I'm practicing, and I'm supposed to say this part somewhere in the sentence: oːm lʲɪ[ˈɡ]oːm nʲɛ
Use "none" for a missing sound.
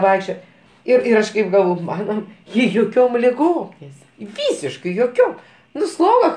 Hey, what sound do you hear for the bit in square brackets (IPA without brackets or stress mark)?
ɡ